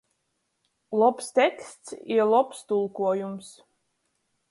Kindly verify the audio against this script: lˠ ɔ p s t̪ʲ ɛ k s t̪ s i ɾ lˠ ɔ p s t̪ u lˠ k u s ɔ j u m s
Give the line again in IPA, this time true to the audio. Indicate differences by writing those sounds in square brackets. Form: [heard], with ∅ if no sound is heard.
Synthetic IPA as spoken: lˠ ɔ p s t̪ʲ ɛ k s t̪ s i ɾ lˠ ɔ p s t̪ u lˠ k u [∅] ɔ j u m s